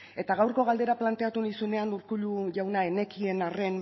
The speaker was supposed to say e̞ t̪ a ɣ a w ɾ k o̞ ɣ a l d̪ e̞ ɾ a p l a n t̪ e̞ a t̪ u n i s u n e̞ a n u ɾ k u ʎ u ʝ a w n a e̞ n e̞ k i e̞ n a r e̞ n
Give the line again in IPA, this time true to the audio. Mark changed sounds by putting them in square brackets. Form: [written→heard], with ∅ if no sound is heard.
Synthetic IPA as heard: e̞ t̪ a ɣ a w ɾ k o̞ ɣ a l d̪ e̞ ɾ a p l a n t̪ e̞ a t̪ u n i s u n e̞ a n u ɾ k u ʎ u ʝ a w n a e̞ n e̞ k i e̞ n a r e̞ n